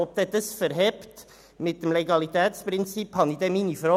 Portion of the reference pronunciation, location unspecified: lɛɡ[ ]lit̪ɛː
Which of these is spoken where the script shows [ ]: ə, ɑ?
ɑ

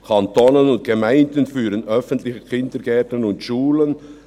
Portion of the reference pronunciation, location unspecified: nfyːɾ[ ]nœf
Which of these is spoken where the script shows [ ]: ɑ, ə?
ə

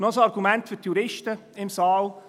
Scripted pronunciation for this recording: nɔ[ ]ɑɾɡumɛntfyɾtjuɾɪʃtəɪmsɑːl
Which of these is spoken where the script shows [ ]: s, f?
s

